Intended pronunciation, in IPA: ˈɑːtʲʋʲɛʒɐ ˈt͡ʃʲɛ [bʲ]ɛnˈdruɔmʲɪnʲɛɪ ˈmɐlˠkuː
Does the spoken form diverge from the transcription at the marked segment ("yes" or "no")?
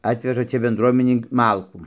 no